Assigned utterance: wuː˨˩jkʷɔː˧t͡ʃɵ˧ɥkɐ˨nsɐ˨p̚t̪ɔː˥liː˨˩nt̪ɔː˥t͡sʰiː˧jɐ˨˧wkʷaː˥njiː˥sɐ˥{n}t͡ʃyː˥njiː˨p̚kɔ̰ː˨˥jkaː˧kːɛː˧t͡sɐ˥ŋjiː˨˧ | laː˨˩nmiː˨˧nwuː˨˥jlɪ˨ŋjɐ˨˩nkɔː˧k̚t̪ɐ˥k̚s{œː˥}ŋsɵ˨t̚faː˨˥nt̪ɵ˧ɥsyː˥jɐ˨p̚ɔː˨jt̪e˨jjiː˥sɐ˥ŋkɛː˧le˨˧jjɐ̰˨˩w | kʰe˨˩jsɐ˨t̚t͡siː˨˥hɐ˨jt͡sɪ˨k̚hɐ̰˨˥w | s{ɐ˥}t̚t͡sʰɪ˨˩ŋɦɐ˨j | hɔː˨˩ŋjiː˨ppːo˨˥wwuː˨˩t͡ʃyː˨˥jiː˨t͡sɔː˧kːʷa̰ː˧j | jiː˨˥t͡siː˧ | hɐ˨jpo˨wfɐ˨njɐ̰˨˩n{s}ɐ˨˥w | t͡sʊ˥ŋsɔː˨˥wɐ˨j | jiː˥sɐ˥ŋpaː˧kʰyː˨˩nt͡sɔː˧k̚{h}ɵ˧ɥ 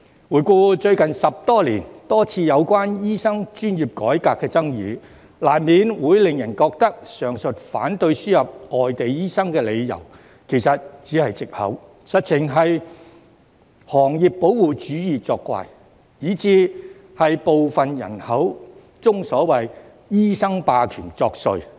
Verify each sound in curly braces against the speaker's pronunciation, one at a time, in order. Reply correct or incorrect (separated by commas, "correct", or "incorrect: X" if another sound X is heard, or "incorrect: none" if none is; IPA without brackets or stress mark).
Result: incorrect: ŋ, incorrect: œː˨˩, incorrect: ɐ˨, incorrect: h, incorrect: s